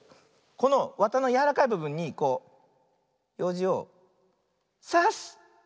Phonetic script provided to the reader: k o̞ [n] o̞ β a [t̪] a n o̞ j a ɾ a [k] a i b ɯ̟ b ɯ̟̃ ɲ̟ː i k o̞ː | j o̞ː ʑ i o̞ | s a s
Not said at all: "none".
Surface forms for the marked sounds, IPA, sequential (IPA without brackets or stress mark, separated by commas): n, t̪, k